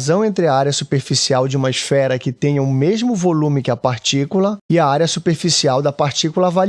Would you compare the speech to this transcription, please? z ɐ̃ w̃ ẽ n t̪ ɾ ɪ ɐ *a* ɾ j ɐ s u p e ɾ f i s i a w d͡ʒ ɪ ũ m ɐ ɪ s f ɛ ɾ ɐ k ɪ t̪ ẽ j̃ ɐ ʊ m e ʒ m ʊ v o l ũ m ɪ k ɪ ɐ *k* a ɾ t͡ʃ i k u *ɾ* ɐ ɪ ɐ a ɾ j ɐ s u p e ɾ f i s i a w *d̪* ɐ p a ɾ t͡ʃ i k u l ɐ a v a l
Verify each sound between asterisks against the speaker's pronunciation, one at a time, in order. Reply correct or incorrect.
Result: correct, incorrect: p, incorrect: l, correct

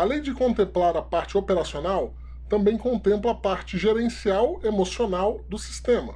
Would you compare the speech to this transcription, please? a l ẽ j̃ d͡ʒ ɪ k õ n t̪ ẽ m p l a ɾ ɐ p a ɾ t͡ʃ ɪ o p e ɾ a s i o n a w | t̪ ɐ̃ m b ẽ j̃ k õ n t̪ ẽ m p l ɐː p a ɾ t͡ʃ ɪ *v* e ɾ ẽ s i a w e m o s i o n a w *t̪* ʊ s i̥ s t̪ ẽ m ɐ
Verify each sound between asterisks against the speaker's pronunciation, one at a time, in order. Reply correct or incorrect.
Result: incorrect: ʒ, incorrect: d̪

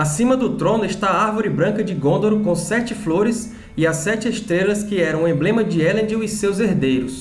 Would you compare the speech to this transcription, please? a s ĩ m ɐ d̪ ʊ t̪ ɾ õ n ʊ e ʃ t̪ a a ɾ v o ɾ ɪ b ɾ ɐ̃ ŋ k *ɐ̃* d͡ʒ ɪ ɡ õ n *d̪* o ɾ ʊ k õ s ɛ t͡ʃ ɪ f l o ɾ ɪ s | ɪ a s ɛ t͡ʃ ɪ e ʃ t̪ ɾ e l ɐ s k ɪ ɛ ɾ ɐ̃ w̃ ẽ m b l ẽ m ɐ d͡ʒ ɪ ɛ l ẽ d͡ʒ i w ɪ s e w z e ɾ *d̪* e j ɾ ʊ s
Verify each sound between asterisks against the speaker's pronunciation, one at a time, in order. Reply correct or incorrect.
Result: incorrect: ɐ, correct, correct

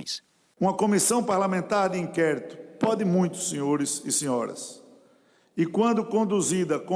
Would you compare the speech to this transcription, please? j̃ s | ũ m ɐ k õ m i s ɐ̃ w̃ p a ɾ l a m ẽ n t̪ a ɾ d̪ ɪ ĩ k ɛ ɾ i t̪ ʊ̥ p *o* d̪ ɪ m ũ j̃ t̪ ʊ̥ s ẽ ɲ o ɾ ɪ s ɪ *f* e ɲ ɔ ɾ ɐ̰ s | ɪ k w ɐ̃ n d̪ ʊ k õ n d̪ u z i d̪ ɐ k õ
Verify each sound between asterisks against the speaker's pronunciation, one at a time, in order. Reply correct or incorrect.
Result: incorrect: ɔ, incorrect: s

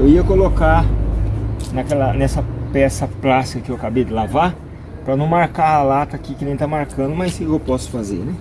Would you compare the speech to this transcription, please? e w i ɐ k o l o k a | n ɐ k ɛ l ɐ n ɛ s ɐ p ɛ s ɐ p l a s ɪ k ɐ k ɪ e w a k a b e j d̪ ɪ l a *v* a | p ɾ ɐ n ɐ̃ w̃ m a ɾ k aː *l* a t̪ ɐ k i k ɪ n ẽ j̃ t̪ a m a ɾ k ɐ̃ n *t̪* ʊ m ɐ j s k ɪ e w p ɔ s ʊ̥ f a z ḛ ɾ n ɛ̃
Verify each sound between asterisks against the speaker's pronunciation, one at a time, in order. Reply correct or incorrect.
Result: correct, correct, incorrect: d̪

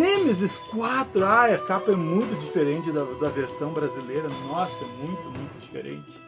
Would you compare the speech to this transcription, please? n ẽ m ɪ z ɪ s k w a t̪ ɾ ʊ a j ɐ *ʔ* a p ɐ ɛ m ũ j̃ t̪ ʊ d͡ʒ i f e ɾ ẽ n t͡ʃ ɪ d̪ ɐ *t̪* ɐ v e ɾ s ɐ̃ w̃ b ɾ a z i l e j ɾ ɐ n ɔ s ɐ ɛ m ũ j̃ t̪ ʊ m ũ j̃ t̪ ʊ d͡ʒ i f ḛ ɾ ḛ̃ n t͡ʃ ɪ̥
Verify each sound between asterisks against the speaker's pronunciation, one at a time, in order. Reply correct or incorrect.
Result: incorrect: k, incorrect: d̪

